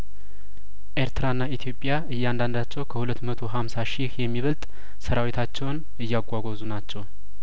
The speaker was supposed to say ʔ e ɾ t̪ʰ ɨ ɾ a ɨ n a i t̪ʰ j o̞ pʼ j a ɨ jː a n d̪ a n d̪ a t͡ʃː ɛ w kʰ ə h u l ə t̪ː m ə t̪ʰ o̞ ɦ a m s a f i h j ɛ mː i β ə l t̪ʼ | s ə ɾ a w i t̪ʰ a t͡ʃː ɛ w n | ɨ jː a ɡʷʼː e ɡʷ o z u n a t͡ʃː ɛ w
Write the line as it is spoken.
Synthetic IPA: ʔ e ɾ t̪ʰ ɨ ɾ a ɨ nː a i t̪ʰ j o̞ pʼ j a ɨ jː a n d̪ a n d̪ a t͡ʃː ɛ w kʰ ə h u l ə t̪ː m ə t̪ʰ o̞ ɦ a m s a ʃ i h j ɛ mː i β ə l t̪ʼ | s ə ɾ a w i t̪ʰ a t͡ʃː ɛ w n | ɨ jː a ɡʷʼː a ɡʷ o z u n a t͡ʃː ɛ w